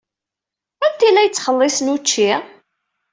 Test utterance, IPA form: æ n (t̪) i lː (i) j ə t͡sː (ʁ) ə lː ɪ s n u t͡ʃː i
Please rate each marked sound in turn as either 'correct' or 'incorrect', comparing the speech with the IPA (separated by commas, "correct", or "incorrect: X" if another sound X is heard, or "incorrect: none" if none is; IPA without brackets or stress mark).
correct, incorrect: æ, incorrect: χ